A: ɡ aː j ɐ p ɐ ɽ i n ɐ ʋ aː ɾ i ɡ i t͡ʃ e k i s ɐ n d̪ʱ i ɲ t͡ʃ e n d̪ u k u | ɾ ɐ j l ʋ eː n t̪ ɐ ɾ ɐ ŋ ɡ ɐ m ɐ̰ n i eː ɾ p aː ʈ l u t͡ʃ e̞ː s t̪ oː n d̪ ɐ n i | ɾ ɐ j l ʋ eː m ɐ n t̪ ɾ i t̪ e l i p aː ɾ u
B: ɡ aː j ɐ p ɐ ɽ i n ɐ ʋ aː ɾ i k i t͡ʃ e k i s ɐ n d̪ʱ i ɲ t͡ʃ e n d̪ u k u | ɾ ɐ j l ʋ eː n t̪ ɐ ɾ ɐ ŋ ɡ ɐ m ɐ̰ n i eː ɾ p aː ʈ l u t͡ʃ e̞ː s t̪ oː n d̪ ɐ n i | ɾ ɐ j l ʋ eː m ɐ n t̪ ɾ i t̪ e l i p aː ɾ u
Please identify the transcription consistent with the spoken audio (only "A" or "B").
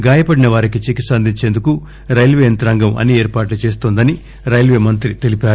B